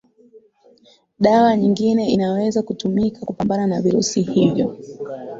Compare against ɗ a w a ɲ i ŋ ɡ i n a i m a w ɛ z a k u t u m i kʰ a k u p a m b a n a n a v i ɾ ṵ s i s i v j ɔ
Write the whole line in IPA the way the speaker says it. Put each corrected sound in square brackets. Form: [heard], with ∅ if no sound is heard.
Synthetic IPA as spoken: ɗ a w a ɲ i ŋ ɡ i n [ɛ] i [n] a w ɛ z a k u t u m i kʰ a k u p a m b a n a n a v i ɾ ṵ s i [h] i v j ɔ